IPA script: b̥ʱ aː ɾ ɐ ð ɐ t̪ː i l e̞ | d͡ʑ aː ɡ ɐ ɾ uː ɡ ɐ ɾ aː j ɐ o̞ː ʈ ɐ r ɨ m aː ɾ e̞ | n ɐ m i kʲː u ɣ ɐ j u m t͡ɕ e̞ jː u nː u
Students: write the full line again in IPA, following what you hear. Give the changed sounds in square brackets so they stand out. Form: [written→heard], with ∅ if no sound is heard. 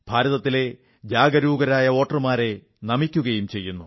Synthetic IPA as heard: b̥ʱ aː ɾ ɐ ð ɐ t̪ː i l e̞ | d͡ʑ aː ɡ ɐ ɾ uː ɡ ɐ ɾ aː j ɐ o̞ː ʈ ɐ r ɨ m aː ɾ e̞ | n ɐ m i kʲː u ɣ ɐ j u m t͡ɕ e̞ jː u nː u